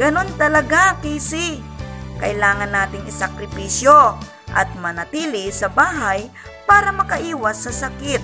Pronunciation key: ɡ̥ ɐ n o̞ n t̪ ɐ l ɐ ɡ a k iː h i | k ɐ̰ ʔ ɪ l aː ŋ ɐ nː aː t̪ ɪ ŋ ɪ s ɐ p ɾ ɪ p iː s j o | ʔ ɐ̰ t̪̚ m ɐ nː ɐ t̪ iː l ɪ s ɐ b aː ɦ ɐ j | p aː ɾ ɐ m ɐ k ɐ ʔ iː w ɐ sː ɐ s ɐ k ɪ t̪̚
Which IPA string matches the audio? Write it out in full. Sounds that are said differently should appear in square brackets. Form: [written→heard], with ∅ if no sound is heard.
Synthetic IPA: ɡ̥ ɐ n o̞ n t̪ ɐ l ɐ ɡ a k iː [h→s] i | k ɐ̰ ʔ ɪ l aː ŋ ɐ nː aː t̪ ɪ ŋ ɪ s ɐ [p→k] ɾ ɪ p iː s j o | ʔ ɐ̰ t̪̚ m ɐ [nː→n] ɐ t̪ iː l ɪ s ɐ b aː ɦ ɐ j | p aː ɾ ɐ m ɐ k ɐ ʔ iː w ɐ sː ɐ s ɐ k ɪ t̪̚